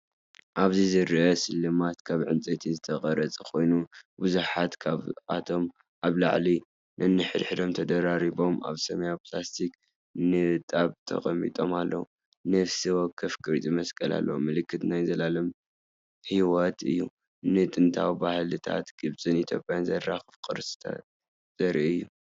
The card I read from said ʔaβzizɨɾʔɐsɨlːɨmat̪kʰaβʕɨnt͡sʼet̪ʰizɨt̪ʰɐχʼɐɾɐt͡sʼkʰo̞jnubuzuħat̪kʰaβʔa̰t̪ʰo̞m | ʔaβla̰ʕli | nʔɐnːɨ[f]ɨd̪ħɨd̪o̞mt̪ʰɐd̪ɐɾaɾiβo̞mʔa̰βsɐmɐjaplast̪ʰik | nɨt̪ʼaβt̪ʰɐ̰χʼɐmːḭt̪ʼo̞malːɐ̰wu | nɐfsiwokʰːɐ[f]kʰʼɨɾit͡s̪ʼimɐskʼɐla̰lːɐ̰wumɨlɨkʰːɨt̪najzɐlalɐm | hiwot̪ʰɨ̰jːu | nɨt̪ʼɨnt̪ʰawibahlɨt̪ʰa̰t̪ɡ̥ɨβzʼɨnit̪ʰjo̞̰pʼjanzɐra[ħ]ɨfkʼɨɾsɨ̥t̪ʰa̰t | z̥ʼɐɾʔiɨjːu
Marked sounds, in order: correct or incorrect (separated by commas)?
incorrect, correct, incorrect